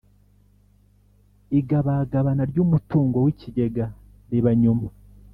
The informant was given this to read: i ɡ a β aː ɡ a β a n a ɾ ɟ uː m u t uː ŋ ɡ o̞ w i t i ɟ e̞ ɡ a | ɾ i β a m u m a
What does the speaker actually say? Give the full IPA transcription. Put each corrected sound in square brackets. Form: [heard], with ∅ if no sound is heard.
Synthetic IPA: i ɡ a β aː ɡ a β a n a ɾ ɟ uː m u t uː ŋ ɡ o̞ w i [c] i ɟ e̞ ɡ a | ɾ i β a [ɲ] u m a